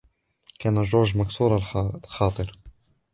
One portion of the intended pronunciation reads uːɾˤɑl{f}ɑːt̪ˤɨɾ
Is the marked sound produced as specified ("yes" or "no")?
no